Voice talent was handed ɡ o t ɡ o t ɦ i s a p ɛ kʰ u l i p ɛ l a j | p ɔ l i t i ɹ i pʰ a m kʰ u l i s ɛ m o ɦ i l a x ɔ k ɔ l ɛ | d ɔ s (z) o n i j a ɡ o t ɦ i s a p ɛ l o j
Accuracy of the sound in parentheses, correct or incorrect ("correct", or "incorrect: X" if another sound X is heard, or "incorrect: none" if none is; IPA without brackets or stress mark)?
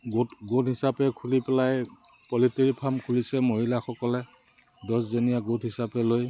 correct